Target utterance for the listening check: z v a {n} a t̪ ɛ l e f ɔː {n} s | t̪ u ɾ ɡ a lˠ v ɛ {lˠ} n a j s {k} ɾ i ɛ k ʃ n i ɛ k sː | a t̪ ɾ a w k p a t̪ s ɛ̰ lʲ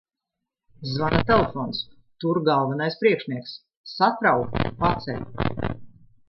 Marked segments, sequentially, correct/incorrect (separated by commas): correct, correct, incorrect, incorrect